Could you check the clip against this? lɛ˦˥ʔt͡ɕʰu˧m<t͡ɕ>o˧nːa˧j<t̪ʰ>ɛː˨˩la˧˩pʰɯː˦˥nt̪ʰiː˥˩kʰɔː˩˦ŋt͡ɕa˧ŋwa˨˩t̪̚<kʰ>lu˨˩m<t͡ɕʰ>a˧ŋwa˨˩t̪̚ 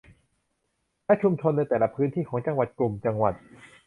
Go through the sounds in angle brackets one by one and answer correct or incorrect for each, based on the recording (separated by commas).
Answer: incorrect, incorrect, incorrect, incorrect